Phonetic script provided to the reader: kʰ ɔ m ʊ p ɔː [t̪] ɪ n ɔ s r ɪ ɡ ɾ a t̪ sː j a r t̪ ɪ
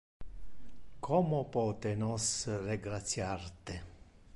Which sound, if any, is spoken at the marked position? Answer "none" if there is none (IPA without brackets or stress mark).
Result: t̪